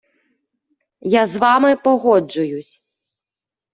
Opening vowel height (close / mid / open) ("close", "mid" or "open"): open